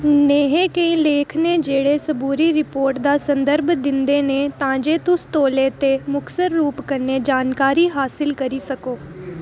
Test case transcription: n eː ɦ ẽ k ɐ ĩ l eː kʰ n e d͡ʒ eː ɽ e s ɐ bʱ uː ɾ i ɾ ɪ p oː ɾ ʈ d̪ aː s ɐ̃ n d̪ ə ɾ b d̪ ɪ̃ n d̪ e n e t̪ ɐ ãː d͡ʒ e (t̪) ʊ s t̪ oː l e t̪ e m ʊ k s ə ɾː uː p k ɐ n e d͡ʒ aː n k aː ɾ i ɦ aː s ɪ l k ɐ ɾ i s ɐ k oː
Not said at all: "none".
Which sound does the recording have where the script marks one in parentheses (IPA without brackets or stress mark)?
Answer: t̪